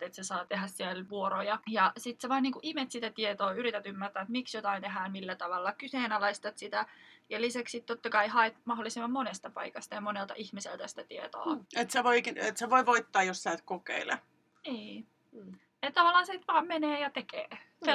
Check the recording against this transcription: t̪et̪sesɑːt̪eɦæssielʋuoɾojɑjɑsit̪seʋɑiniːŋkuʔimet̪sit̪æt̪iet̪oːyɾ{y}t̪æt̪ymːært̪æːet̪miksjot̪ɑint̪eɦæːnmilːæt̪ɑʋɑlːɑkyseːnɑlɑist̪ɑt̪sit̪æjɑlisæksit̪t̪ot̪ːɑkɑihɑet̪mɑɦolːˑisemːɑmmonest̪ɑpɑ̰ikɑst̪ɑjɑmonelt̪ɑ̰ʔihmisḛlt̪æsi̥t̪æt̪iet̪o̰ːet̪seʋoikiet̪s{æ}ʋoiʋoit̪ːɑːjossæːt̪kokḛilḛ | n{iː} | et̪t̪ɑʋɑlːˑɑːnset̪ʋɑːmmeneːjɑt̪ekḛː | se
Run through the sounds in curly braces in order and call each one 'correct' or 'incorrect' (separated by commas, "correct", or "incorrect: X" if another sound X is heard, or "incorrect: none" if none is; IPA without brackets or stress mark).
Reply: incorrect: i, incorrect: e, correct